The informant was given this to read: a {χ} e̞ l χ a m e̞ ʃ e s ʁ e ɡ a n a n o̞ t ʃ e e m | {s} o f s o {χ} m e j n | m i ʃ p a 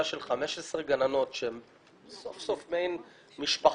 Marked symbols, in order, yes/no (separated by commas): no, yes, no